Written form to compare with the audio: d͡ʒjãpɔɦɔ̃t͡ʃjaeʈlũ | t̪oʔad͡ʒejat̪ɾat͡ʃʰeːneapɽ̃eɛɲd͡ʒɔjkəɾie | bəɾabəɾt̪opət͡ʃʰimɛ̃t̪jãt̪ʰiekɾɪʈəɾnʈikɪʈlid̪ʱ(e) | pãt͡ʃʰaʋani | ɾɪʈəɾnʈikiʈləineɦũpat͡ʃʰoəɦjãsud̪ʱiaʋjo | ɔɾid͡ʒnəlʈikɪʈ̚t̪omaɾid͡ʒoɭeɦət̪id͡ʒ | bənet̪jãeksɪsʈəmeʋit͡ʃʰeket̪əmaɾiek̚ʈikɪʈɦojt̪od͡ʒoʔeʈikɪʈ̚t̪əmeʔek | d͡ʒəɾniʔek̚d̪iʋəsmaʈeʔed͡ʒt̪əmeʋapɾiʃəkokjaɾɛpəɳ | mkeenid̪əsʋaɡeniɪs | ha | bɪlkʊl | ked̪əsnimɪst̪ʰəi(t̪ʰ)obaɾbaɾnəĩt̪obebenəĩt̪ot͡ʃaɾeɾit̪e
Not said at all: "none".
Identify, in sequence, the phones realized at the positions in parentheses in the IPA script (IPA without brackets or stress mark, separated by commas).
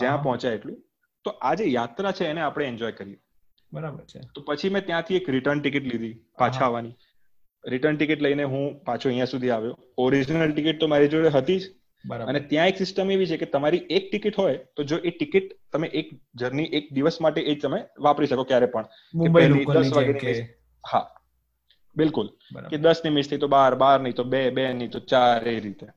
i, t̪